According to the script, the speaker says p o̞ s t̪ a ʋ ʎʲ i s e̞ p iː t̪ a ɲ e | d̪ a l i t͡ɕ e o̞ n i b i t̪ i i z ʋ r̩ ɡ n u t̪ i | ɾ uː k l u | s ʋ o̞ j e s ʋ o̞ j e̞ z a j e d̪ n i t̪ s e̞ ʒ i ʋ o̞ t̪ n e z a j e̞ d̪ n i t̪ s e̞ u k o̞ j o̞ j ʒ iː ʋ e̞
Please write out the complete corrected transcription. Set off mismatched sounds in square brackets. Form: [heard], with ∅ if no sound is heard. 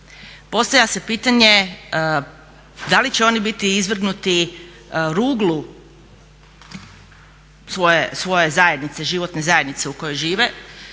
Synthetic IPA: p o̞ s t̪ a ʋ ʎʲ [a] s e̞ p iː t̪ a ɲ e | d̪ a l i t͡ɕ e o̞ n i b i t̪ i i z ʋ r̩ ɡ n u t̪ i | ɾ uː [ɡ] l u | s ʋ o̞ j e s ʋ o̞ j e̞ z a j e d̪ n i t̪ s e̞ ʒ i ʋ o̞ t̪ n e z a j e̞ d̪ n i t̪ s e̞ u k o̞ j o̞ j ʒ iː ʋ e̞